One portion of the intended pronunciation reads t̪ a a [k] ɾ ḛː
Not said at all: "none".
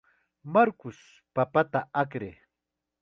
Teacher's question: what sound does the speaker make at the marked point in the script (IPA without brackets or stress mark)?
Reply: k